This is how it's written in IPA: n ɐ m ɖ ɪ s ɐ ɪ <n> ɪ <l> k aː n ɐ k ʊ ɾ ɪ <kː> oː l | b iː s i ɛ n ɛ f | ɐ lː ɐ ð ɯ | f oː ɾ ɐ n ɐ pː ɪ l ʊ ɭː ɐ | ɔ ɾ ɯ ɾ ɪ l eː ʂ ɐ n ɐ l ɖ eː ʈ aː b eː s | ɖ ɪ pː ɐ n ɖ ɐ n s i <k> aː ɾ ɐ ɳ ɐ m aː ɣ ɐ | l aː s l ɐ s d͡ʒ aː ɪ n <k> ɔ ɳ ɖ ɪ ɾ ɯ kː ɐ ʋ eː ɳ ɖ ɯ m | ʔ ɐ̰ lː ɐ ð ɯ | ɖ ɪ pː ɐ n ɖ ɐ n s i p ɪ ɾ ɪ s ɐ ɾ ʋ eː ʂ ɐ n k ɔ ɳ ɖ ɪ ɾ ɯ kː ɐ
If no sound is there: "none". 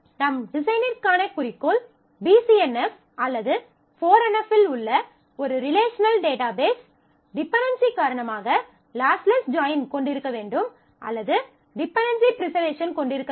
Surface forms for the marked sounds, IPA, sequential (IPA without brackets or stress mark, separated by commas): n, ɾ, kː, k, k